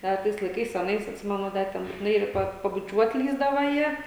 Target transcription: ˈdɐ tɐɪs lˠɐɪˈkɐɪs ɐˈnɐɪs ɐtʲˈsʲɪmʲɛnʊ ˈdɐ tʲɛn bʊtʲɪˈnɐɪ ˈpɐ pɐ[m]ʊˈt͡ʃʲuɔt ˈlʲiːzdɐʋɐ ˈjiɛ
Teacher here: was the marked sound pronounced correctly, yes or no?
no